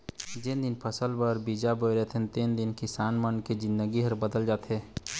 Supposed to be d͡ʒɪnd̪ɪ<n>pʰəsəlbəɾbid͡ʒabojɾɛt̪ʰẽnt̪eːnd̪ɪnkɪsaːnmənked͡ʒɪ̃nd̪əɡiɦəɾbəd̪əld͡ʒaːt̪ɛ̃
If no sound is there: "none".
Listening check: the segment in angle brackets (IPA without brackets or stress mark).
n